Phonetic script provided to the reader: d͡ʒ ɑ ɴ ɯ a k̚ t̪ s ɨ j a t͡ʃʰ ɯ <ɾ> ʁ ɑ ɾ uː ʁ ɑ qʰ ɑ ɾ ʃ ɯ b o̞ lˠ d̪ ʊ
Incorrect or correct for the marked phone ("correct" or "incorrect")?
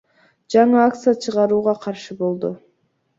incorrect